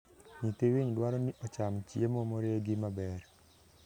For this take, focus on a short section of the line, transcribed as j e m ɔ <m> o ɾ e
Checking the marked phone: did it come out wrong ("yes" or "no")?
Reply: no